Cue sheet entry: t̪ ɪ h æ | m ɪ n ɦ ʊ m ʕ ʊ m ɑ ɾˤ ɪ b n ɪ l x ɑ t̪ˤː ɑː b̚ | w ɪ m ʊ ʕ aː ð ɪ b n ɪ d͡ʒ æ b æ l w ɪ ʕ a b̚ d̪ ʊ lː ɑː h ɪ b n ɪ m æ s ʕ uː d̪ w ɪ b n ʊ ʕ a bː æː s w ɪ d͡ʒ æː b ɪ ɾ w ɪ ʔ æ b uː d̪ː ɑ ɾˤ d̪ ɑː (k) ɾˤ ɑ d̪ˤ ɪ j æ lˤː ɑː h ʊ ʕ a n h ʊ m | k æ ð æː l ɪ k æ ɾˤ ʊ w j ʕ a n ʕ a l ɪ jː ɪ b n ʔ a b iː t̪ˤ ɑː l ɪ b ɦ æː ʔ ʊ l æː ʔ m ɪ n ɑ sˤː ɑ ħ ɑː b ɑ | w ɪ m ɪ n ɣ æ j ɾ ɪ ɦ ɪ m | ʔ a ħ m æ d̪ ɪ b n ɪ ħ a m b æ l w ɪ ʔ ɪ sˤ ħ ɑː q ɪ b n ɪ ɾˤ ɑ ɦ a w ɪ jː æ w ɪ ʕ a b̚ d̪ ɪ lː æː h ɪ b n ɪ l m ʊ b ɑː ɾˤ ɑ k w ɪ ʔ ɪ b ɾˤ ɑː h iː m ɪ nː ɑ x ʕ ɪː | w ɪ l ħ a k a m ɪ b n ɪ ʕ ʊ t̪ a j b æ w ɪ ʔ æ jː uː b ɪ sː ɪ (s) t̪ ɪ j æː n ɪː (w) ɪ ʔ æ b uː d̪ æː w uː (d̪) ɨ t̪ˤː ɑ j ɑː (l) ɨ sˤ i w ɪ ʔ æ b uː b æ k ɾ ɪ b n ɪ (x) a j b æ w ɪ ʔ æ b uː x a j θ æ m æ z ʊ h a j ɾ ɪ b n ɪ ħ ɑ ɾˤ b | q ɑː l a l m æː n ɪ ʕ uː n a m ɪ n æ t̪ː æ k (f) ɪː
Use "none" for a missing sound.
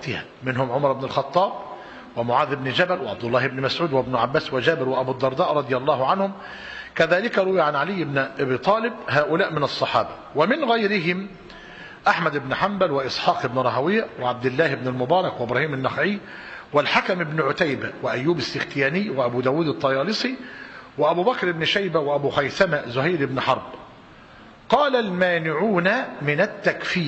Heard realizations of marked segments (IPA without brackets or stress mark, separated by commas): ʔ, x, w, d̪, l, ʃ, f